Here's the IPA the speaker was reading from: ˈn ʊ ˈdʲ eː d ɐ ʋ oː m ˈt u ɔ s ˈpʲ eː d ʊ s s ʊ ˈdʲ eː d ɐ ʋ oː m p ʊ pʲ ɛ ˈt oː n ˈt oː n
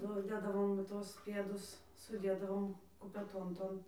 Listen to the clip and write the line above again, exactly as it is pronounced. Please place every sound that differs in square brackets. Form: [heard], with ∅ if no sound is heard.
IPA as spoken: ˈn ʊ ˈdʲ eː d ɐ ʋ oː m ˈt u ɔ s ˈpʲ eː d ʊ s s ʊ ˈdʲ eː d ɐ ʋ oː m [k] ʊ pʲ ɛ ˈt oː n ˈt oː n